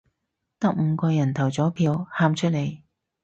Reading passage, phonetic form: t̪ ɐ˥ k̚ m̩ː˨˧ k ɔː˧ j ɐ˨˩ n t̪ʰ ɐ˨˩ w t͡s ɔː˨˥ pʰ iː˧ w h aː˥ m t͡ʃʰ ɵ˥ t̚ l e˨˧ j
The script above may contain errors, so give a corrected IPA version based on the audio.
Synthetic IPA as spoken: t̪ ɐ˥ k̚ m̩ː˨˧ k ɔː˧ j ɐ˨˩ n t̪ʰ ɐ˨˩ w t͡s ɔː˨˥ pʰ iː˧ w h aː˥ m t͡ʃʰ ɵ˥ t̚ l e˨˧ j